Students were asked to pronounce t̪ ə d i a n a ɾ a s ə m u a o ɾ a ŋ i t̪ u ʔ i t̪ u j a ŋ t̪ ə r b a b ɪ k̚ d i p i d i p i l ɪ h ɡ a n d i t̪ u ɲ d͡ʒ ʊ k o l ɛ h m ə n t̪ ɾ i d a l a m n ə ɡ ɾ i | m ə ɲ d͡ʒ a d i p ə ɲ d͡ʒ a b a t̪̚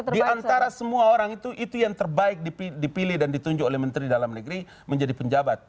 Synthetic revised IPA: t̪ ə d i a n a ɾ a s ə m u a o ɾ a ŋ i t̪ u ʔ i t̪ u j a ŋ t̪ ə r b a ɪ k̚ d i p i d i p i l ɪ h d a n d i t̪ u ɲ d͡ʒ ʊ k o l ɛ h m ə n t̪ ɾ i d a l a m n ə ɡ ɾ i | m ə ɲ d͡ʒ a d i p ə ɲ d͡ʒ a b a t̪̚